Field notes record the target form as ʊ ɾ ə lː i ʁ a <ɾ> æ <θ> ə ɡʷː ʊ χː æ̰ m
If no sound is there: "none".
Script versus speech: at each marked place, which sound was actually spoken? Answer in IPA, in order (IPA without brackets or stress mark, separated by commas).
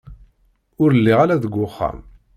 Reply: l, ð